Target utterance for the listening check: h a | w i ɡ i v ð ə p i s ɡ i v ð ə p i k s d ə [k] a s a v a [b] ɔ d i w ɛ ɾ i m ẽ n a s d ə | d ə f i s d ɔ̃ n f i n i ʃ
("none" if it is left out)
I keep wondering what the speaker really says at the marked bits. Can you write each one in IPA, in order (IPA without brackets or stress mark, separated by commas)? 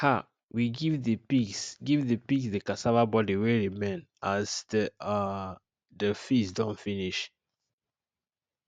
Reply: k, b